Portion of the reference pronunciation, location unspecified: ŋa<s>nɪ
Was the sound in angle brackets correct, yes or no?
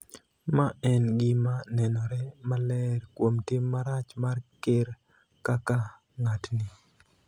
no